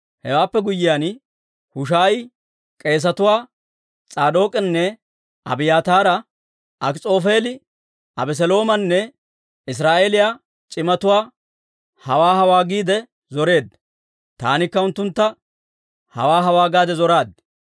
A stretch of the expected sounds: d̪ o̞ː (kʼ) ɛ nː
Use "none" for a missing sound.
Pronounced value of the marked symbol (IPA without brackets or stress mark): kʼ